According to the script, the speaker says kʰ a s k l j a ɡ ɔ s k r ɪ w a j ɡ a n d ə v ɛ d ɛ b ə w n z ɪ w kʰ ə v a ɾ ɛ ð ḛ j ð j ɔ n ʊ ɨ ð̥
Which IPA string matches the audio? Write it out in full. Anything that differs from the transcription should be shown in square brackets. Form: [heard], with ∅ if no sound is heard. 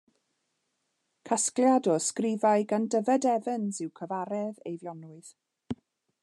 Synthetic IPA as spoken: kʰ a s k l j a [d] ɔ s k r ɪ [v] a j ɡ a n d ə v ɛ d ɛ [v] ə [∅] n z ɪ w kʰ ə v a ɾ ɛ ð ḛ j [v] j ɔ n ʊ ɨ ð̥